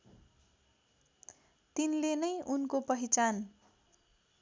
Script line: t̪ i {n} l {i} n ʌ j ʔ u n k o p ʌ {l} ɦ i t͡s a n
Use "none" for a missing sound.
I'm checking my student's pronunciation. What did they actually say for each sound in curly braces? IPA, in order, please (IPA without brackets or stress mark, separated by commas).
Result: n, e, none